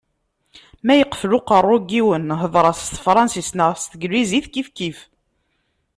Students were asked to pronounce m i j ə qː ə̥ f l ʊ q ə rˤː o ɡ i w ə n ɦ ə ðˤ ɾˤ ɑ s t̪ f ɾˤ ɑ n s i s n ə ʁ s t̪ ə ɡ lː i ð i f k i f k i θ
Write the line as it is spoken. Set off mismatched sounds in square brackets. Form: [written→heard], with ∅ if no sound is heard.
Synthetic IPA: m [i→æ] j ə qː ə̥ f l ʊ q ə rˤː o ɡ i w ə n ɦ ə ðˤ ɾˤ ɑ s t̪ f ɾˤ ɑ n s i s n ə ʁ s t̪ ə ɡ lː i [ð→z] i [f→θ] k i f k i [θ→f]